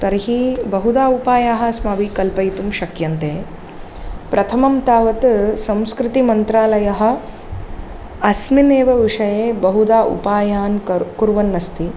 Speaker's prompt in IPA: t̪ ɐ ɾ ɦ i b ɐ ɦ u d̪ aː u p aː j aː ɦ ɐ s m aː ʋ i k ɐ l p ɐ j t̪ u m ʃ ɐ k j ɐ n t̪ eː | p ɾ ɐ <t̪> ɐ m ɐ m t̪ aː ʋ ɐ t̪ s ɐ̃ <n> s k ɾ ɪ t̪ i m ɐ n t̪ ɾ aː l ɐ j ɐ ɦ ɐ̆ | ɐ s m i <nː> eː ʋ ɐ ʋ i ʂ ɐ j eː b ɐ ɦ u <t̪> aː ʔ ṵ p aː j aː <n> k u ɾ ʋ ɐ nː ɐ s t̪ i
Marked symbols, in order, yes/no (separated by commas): no, no, no, no, yes